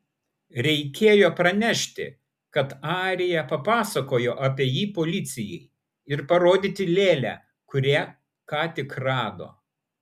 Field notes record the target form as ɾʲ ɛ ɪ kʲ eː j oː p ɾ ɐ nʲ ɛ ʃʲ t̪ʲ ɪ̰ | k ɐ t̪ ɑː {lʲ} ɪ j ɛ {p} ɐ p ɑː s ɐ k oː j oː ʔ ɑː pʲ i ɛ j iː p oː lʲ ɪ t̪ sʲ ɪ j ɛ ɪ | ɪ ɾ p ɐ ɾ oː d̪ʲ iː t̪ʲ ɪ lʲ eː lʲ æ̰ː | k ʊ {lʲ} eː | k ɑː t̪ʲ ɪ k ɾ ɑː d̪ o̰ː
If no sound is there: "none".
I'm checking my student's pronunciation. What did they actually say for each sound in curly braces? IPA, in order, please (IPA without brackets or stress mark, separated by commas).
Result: ɾʲ, p, ɾʲ